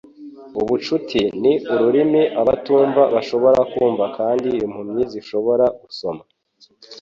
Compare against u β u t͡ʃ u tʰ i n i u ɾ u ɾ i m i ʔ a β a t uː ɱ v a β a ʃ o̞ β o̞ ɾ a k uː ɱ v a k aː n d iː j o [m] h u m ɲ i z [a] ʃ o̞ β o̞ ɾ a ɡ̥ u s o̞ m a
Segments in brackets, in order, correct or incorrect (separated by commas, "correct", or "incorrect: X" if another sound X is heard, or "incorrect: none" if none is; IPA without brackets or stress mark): correct, incorrect: i